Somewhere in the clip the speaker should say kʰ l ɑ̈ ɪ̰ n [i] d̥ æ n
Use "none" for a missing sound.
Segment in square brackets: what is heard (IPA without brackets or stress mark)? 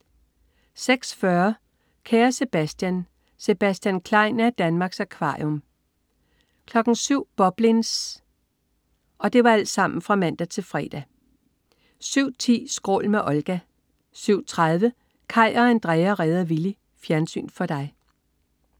æ